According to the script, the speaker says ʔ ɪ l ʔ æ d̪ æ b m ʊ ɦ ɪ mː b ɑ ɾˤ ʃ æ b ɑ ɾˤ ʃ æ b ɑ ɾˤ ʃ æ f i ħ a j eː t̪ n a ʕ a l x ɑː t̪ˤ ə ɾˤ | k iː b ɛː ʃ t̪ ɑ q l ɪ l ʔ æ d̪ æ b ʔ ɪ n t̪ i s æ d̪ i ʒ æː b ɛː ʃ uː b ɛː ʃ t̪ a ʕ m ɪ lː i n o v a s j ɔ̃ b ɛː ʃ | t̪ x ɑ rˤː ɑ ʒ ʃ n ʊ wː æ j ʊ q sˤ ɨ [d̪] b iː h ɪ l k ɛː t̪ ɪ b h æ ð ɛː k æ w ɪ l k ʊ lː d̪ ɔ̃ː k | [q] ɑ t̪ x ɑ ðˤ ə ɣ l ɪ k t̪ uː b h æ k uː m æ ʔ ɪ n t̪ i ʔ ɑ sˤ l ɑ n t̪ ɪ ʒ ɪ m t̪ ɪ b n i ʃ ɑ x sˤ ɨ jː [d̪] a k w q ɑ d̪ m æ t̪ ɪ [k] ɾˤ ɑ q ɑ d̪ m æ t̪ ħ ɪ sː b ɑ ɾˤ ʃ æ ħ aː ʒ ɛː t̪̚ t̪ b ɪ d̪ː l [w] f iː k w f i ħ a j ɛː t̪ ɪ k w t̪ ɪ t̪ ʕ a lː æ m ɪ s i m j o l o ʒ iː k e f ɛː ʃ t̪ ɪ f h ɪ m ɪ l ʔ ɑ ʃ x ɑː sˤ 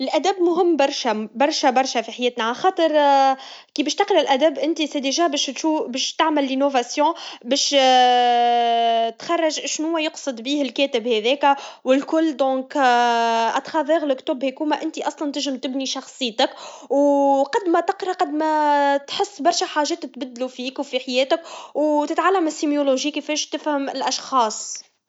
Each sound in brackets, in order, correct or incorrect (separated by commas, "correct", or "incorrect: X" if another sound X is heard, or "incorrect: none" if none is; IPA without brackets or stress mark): correct, incorrect: ʔ, incorrect: t̪, incorrect: q, incorrect: u